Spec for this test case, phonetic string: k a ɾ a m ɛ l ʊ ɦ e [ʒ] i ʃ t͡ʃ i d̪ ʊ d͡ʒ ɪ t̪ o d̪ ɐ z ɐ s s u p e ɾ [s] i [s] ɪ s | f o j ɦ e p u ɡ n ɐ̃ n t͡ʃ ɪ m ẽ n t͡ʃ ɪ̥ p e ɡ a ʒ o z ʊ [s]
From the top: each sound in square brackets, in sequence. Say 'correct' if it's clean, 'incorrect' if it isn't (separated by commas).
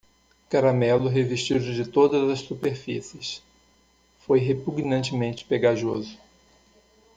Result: incorrect, incorrect, correct, incorrect